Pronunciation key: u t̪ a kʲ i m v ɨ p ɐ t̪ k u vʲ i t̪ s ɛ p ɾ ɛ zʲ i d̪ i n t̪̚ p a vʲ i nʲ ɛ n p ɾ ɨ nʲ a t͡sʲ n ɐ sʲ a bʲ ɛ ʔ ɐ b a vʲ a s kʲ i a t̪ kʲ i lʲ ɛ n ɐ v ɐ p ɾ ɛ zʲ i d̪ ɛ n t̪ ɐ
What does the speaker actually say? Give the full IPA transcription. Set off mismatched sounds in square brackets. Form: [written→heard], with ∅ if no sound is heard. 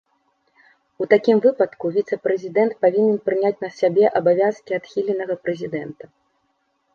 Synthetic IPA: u t̪ a kʲ i m v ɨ p ɐ t̪ k u vʲ i t̪ s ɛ p ɾ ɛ zʲ i d̪ [i→ɛ] n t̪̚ p a vʲ i nʲ ɛ n p ɾ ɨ nʲ a t͡sʲ n ɐ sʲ a bʲ ɛ ʔ ɐ b a vʲ a s kʲ i a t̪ [kʲ→xʲ] i lʲ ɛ n ɐ [v→ɣ] ɐ p ɾ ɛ zʲ i d̪ ɛ n t̪ ɐ